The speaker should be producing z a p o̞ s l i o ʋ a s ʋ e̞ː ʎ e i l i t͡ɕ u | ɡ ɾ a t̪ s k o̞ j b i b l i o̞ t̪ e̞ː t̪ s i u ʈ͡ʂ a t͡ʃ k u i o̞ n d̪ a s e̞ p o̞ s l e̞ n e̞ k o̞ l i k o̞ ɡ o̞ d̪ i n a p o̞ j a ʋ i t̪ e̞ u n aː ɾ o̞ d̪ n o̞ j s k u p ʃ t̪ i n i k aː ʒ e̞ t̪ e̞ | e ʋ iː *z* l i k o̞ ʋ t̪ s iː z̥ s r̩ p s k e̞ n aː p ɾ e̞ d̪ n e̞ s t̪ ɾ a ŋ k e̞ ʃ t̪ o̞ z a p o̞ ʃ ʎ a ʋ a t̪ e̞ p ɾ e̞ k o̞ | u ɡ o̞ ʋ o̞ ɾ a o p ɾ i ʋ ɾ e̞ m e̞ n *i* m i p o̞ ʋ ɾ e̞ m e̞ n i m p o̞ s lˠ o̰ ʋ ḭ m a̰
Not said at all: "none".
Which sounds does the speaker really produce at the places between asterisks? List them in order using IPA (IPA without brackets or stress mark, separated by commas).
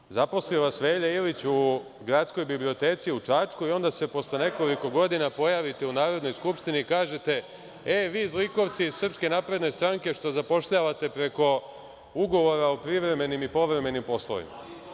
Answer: z, i